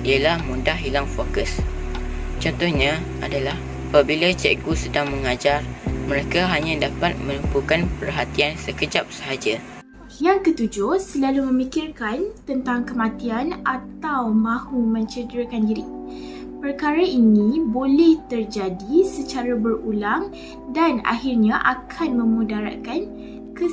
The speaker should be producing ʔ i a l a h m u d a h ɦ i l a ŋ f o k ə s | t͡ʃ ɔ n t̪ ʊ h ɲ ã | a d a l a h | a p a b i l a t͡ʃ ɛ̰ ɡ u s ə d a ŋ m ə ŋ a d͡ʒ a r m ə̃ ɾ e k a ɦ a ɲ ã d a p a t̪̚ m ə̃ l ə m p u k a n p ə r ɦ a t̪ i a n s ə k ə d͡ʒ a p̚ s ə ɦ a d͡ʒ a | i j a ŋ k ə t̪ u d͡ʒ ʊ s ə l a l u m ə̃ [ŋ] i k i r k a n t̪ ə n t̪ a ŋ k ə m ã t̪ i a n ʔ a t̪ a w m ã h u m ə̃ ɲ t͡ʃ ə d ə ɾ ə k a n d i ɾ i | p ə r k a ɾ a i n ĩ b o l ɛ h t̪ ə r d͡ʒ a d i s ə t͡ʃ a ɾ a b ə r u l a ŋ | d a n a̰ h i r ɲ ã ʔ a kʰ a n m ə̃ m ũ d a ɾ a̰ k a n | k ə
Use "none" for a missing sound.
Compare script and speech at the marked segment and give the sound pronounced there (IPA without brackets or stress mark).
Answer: m